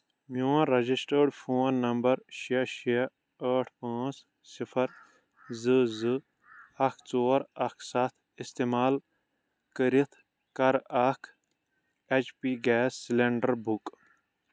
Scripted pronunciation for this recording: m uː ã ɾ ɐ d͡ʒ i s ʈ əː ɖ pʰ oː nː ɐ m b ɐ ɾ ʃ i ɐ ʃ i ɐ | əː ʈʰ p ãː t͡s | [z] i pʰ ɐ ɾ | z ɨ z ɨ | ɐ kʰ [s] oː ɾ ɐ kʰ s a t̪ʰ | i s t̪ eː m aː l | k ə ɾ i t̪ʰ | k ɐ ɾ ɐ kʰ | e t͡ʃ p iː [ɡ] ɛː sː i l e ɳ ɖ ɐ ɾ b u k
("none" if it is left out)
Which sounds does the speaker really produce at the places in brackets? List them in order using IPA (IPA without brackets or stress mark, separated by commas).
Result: s, t͡s, ɡ